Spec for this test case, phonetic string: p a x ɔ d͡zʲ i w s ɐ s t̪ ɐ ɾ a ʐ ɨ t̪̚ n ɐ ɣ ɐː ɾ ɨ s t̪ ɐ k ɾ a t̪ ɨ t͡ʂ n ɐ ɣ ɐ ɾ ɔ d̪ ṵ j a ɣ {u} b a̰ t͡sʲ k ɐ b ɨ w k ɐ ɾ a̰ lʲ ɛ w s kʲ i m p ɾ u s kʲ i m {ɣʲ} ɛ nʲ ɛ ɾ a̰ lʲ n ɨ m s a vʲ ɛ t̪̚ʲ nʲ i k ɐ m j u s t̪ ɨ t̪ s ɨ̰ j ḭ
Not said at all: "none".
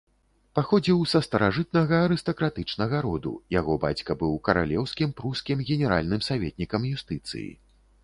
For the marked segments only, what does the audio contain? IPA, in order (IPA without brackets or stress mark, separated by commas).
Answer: ɔ, ɣʲ